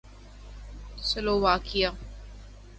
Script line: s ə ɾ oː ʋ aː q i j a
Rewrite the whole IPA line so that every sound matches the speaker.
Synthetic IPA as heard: s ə l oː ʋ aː k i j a